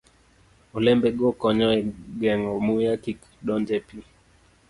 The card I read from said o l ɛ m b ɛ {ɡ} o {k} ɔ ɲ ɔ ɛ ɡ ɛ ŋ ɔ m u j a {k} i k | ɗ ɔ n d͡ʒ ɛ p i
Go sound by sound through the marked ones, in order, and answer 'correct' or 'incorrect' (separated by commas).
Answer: correct, correct, correct